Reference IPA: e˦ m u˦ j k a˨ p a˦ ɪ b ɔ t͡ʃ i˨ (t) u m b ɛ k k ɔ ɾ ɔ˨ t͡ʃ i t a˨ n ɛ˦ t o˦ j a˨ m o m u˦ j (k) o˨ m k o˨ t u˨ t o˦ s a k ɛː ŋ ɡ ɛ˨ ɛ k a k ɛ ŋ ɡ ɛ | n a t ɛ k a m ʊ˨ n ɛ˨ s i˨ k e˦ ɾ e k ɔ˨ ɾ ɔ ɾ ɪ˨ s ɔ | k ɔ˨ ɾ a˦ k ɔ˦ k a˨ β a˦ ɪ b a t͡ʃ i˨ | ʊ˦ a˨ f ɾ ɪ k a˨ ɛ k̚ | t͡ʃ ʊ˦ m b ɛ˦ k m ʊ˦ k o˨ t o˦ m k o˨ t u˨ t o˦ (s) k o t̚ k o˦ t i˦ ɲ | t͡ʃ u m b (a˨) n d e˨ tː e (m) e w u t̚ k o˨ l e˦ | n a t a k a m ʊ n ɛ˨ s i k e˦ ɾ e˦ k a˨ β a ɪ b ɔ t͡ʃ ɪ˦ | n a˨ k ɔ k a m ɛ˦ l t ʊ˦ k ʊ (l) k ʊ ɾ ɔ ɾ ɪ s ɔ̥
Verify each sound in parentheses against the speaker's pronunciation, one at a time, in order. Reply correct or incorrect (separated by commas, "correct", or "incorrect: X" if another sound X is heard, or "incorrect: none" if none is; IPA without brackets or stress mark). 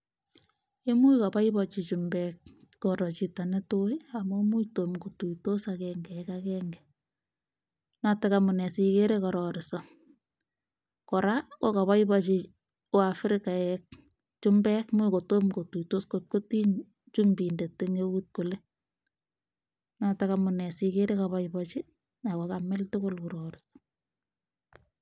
incorrect: t͡ʃ, incorrect: t, correct, incorrect: i˨, incorrect: ŋ, correct